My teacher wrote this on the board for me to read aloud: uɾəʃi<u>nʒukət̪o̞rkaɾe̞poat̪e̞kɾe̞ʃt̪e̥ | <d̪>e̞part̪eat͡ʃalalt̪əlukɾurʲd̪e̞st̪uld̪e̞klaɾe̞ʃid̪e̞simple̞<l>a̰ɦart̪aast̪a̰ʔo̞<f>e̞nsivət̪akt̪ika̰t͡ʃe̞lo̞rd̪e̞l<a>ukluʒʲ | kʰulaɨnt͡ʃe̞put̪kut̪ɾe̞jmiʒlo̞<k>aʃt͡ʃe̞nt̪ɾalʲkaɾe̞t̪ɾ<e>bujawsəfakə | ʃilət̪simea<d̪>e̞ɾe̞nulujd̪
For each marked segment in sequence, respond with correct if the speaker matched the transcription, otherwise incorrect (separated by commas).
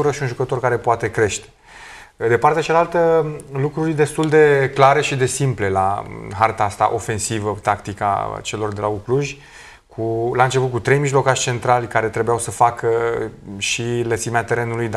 correct, correct, correct, correct, correct, correct, correct, incorrect